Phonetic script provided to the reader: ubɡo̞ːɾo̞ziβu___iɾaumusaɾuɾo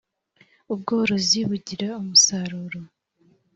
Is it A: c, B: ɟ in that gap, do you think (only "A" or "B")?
B